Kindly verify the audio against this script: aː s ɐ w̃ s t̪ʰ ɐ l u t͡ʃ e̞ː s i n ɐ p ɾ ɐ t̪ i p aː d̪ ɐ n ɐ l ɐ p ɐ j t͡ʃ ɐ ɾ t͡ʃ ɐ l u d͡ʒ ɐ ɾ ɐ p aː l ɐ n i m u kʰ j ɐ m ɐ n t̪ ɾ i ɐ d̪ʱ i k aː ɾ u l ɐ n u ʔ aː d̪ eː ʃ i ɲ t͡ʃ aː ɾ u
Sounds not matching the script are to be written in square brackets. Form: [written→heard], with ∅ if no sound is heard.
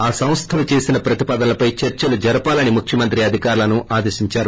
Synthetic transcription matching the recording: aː s ɐ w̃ s t̪ʰ ɐ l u t͡ʃ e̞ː s i n ɐ p ɾ ɐ t̪ i p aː d̪ ɐ n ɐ l ɐ p ɐ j t͡ʃ ɐ ɾ t͡ʃ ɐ l u d͡ʒ ɐ ɾ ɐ p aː l ɐ n i m u kʰ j ɐ m ɐ n t̪ ɾ i ɐ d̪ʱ i k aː ɾ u l ɐ n u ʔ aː d̪ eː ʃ i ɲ t͡ʃ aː ɾ u